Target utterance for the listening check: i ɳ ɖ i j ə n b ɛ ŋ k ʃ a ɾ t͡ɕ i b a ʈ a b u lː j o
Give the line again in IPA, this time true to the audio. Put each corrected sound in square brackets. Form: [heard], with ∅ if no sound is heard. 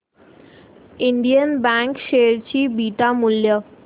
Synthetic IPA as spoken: i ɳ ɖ i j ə n b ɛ ŋ k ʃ [e] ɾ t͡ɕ i b [i] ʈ a [m] u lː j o

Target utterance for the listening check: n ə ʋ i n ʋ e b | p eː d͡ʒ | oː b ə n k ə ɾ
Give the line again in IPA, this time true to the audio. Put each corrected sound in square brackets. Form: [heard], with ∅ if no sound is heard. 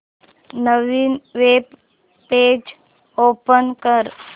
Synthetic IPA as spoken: n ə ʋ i n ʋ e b | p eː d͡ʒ | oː [p] ə n k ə ɾ

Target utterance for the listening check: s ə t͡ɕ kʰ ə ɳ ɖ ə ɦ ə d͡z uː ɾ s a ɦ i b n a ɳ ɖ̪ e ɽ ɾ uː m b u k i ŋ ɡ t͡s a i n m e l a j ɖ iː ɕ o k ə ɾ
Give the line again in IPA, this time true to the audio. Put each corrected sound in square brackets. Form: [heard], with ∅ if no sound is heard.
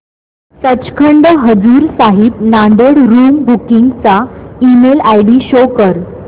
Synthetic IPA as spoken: s ə t͡ɕ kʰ ə ɳ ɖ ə ɦ ə d͡z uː ɾ s a ɦ i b n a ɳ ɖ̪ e ɽ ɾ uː m b u k i ŋ ɡ t͡s a i [∅] m e l a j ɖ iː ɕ o k ə ɾ

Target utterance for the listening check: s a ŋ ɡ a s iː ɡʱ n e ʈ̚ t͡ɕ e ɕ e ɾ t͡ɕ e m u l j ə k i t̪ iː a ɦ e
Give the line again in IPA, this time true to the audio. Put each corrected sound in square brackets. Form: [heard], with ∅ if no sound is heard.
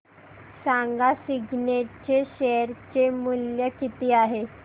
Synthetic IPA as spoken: s a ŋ ɡ a s [i] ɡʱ n e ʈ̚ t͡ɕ e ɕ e ɾ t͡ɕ e m u l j ə k i t̪ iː a ɦ e

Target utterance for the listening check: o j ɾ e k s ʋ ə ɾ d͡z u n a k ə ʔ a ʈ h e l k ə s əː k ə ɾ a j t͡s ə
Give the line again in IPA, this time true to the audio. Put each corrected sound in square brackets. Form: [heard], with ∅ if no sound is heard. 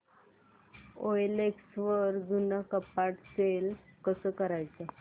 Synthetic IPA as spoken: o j [l] e k s ʋ ə ɾ d͡z u n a k ə [p] a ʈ [s] e l k ə s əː k ə ɾ a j t͡s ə

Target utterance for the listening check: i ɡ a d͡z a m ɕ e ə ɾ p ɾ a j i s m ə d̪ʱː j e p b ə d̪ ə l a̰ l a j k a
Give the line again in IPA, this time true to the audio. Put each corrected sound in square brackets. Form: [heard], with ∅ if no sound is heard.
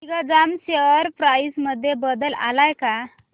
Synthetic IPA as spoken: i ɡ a d͡z a m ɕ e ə ɾ p ɾ a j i s m ə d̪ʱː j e [∅] b ə d̪ ə l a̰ l a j k a

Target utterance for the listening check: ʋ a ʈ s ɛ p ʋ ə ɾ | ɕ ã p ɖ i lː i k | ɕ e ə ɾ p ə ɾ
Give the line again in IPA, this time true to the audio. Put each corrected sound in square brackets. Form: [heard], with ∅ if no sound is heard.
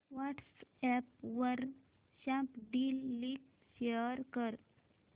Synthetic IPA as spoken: ʋ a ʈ s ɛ p ʋ ə ɾ | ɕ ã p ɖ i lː i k | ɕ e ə ɾ [k] ə ɾ

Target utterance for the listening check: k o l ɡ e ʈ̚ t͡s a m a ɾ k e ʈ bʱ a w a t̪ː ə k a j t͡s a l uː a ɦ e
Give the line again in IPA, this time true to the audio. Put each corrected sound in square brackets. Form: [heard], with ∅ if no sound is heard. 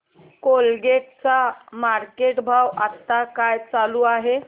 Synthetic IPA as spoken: k o l ɡ e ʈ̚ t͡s a m a ɾ k e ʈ bʱ a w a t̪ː [a] k a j t͡s a l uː a ɦ e

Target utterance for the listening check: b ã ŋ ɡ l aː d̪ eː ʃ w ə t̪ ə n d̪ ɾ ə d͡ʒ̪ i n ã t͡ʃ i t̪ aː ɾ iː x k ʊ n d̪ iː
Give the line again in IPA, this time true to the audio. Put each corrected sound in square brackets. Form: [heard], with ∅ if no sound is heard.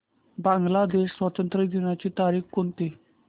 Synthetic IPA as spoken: b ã ŋ ɡ l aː d̪ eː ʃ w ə t̪ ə n [t̪] ɾ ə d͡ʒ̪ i n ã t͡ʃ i t̪ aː ɾ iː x k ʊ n [t̪] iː

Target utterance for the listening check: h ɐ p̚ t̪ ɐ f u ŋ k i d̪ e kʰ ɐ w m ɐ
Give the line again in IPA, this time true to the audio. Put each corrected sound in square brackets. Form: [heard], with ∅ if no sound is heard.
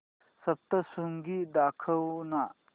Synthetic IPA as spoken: [s] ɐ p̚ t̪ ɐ [s] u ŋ [ɡ] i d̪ [a] kʰ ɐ w [n] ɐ

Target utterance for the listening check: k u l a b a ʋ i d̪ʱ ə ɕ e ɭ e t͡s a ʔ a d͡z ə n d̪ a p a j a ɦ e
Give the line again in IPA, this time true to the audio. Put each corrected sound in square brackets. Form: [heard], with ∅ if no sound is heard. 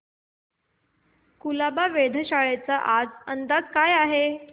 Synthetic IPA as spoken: k u l a b a ʋ [e] d̪ʱ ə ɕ [a] ɭ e t͡s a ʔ a d͡z ə n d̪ a [k] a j a ɦ e

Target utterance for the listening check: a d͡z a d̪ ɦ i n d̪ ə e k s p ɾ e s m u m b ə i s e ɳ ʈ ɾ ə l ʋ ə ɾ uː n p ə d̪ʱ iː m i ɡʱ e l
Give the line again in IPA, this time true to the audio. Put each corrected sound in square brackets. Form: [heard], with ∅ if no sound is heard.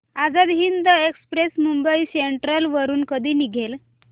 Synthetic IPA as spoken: a d͡z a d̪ ɦ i n d̪ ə e k s p ɾ e s m u m b ə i s e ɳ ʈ ɾ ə l ʋ ə ɾ uː n [k] ə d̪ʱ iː [n] i ɡʱ e l

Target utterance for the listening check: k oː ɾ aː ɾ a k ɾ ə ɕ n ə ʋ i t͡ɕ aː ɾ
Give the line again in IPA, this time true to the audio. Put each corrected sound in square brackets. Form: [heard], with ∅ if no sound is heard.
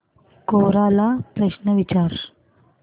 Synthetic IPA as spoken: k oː ɾ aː [l] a [p] ɾ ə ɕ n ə ʋ i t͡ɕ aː ɾ

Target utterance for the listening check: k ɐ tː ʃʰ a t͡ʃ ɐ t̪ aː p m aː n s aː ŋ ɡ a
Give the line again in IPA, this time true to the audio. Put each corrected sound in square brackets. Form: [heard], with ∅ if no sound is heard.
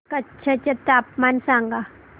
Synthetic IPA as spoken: k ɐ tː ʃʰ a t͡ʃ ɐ t̪ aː p m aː n s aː ŋ ɡ a

